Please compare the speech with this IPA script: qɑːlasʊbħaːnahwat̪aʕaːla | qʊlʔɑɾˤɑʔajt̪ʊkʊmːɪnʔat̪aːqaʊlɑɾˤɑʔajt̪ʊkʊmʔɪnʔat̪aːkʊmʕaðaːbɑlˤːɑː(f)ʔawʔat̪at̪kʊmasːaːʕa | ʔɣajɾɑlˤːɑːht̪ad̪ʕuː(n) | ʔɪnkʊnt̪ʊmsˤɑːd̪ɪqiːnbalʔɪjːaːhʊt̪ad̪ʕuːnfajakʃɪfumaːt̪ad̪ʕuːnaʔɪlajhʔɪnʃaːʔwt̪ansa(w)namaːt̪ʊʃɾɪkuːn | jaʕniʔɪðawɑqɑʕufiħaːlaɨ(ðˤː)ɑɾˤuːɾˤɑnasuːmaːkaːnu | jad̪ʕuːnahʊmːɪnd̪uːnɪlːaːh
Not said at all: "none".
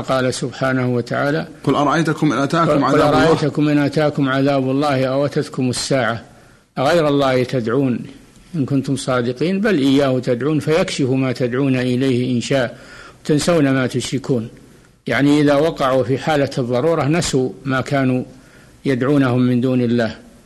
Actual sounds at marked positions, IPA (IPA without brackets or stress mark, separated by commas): h, n, w, ðˤː